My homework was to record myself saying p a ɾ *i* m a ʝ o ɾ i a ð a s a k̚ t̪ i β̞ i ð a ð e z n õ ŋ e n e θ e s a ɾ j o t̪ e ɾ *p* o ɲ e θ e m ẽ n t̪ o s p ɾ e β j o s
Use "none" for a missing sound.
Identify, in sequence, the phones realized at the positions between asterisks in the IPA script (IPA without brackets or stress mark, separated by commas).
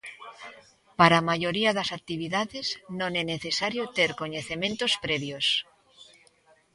a, k